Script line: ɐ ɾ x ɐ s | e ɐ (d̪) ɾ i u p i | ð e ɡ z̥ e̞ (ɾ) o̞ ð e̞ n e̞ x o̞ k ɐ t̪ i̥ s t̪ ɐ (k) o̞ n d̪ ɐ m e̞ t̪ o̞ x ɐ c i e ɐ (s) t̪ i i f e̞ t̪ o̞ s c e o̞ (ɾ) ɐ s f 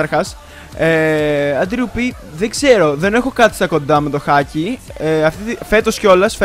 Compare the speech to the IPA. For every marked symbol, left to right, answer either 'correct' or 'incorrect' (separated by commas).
correct, correct, correct, incorrect, incorrect